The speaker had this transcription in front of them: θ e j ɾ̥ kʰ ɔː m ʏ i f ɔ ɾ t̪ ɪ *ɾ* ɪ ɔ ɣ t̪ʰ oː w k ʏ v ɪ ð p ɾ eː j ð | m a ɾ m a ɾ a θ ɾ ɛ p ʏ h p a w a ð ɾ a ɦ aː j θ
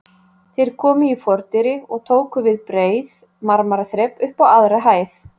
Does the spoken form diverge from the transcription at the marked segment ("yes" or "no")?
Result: no